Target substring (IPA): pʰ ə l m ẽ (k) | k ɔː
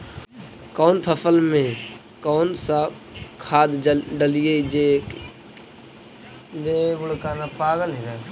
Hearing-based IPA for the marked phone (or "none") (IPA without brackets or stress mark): none